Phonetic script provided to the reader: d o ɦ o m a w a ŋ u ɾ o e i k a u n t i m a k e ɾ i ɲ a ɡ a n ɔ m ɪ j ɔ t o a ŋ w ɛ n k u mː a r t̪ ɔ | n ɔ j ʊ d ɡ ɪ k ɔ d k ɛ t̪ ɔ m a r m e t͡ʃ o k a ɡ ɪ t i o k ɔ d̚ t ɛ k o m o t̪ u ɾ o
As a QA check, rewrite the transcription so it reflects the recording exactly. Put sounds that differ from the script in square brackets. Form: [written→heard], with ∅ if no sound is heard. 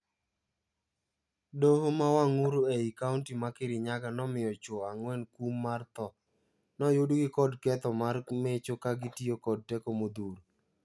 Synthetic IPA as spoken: d o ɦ o m a w a ŋ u ɾ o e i k a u n t i m a k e ɾ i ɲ a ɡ a n ɔ m ɪ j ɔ [t→t͡ʃ] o a ŋ w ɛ n k u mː a r t̪ ɔ | n ɔ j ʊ d ɡ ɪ k ɔ d k ɛ t̪ ɔ m a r m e t͡ʃ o k a ɡ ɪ t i o k ɔ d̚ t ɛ k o m o [t̪→d̪] u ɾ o